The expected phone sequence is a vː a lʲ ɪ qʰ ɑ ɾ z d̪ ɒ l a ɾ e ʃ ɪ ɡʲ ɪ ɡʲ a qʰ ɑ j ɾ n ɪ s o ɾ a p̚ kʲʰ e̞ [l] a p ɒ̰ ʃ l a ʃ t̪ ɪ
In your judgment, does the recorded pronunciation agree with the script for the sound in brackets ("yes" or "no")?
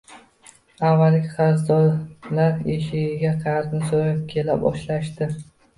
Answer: yes